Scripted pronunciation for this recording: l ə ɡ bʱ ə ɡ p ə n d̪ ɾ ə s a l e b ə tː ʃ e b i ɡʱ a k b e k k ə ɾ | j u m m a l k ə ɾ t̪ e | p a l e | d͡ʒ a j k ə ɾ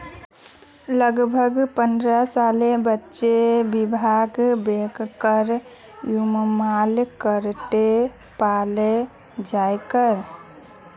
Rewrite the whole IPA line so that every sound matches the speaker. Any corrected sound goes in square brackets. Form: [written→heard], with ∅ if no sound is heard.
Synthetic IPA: l ə ɡ bʱ ə ɡ p ə n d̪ ɾ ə s a l e b ə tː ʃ e b i [ɡʱ→bʱ] a [k→ɡ] b e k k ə ɾ | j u m m a l k ə ɾ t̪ e | p a l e | d͡ʒ a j k ə ɾ